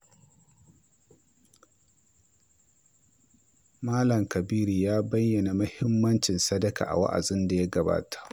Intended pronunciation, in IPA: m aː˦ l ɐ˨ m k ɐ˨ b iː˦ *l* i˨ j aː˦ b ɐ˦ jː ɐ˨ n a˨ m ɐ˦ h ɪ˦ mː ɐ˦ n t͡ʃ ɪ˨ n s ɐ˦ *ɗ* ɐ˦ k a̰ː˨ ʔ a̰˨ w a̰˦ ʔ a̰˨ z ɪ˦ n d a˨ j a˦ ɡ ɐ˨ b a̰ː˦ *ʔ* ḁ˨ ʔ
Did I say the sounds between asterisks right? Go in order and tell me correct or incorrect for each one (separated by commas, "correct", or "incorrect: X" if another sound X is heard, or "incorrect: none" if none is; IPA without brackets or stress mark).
incorrect: ɾ, incorrect: d, incorrect: t